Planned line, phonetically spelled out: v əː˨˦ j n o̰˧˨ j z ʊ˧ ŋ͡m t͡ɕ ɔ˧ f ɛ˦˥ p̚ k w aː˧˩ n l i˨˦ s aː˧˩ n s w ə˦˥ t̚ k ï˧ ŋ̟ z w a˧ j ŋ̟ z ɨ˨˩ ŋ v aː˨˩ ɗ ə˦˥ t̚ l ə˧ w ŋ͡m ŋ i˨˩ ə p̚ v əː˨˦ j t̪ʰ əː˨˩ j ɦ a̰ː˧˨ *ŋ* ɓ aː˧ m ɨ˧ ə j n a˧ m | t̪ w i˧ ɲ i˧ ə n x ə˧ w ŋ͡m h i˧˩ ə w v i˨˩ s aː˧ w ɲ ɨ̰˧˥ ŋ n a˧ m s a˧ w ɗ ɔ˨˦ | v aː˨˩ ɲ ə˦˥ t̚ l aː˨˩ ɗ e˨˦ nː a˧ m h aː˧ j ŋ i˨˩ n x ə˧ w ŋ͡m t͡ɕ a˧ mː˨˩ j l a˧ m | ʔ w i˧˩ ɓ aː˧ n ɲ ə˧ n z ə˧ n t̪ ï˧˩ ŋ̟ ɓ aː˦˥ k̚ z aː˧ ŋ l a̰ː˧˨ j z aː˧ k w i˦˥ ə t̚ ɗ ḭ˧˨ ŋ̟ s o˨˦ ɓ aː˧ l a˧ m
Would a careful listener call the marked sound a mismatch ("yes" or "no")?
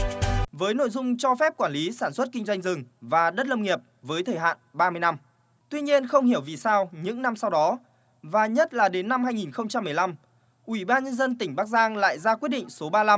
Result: yes